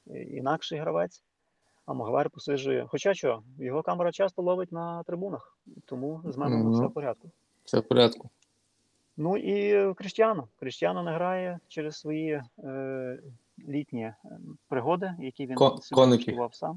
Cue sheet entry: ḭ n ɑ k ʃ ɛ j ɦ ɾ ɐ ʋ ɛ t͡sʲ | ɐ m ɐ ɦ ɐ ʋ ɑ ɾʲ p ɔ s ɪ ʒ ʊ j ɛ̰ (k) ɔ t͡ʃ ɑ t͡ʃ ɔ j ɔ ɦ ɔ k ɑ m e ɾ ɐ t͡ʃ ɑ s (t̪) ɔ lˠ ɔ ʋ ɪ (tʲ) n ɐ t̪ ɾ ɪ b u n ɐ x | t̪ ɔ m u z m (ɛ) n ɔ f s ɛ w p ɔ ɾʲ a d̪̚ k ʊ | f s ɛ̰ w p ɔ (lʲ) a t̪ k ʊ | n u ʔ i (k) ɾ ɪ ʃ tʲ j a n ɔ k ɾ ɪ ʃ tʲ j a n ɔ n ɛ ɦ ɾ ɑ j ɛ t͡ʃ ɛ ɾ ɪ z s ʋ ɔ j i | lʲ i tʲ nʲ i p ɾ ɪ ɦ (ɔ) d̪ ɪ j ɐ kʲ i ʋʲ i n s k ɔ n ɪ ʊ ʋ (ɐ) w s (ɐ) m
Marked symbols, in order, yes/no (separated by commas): no, yes, yes, yes, no, yes, yes, no, no